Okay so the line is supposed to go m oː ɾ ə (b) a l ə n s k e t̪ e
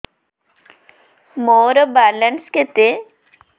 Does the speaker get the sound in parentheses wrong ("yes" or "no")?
no